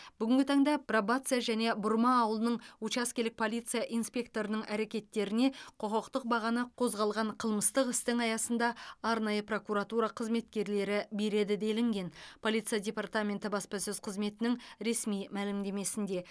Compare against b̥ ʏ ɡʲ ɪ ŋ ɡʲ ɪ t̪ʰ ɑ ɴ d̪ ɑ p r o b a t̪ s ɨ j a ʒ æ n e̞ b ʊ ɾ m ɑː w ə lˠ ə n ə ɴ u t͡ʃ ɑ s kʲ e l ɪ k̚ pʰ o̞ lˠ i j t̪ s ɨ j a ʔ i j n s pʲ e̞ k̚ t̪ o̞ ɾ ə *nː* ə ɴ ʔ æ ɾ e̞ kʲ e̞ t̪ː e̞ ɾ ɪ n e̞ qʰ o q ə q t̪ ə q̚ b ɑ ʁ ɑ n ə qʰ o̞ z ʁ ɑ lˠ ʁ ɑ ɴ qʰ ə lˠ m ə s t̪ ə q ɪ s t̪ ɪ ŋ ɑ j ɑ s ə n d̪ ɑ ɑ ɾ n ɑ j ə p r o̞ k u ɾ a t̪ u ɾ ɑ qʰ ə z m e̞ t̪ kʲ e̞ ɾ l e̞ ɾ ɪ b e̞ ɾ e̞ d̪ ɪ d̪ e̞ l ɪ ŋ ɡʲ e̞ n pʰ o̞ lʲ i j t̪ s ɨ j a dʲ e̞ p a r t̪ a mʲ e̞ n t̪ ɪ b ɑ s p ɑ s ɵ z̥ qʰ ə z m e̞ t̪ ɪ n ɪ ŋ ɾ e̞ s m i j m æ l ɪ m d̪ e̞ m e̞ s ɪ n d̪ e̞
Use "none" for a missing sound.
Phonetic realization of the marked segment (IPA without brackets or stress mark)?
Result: n